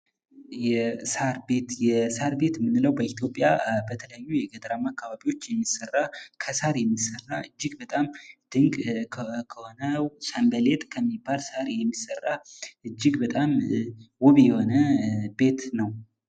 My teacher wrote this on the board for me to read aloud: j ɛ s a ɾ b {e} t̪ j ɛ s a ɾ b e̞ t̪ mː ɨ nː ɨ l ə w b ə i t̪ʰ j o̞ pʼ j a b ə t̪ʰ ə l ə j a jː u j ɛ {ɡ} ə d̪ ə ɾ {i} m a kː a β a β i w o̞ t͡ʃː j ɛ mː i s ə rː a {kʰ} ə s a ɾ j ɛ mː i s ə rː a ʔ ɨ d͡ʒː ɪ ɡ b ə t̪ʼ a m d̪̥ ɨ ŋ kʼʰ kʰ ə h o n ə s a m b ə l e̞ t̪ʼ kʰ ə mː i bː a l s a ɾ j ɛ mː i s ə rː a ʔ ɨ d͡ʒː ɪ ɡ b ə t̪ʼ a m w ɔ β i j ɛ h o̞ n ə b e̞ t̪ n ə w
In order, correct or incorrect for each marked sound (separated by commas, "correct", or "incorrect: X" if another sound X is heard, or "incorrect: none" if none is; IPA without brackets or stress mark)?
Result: correct, correct, incorrect: a, correct